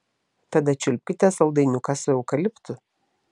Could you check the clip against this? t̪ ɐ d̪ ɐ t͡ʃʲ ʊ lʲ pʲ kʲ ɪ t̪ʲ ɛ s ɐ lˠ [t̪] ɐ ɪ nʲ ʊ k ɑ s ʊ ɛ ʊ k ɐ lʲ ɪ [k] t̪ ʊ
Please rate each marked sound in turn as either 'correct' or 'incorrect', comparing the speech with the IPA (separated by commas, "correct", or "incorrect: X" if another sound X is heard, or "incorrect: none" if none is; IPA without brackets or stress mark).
incorrect: d̪, incorrect: p